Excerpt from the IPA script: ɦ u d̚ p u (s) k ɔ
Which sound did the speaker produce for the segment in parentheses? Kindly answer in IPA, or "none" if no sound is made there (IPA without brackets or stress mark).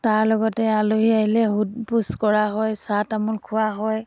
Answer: s